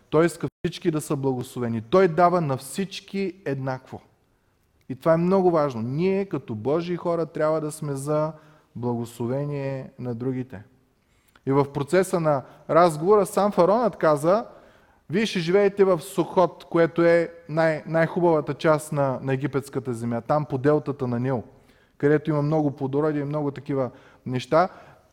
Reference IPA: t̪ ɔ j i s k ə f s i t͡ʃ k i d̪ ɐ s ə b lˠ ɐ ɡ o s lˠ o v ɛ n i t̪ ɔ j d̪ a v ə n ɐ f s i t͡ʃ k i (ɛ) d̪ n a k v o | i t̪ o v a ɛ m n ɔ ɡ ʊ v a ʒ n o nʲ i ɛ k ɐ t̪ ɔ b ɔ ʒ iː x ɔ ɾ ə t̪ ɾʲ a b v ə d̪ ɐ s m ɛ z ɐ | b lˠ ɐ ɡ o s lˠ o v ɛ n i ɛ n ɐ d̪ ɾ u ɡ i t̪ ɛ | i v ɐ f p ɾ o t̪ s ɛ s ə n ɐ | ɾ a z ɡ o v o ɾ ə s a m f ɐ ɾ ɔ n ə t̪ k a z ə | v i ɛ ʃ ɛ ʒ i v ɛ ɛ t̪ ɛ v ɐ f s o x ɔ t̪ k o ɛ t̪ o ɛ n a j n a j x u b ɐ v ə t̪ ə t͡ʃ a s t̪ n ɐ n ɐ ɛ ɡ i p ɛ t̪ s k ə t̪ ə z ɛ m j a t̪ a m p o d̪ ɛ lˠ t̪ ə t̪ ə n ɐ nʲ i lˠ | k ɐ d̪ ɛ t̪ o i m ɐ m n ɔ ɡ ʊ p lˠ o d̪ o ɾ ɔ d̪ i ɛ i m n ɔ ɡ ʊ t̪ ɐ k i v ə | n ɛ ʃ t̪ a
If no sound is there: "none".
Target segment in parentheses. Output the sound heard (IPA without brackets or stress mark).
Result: ɛ